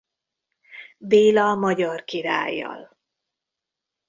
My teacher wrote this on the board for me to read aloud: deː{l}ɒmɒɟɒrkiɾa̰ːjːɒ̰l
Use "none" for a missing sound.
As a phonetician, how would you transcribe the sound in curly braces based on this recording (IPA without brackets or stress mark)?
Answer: l